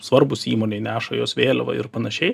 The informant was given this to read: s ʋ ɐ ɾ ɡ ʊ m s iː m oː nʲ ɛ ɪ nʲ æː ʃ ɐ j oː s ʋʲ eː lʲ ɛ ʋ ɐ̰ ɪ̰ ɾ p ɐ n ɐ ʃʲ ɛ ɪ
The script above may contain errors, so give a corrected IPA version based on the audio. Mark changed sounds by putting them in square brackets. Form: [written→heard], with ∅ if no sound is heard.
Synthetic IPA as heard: s ʋ ɐ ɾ [ɡ→b] ʊ [m→∅] s iː m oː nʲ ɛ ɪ nʲ æː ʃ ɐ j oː s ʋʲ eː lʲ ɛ ʋ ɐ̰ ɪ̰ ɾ p ɐ n ɐ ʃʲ ɛ ɪ